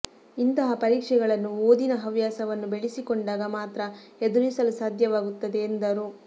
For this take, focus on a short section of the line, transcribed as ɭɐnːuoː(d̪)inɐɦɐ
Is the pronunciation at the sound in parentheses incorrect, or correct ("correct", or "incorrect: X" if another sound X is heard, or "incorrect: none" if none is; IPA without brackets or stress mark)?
correct